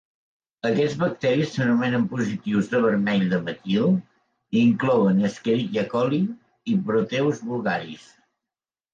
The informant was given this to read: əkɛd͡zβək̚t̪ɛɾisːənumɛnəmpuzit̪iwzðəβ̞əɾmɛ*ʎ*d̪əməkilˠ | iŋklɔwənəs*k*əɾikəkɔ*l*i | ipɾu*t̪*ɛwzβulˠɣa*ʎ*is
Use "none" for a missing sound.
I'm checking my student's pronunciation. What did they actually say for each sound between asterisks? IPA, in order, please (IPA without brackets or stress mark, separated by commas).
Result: ʎ, k, l, t̪, ɾ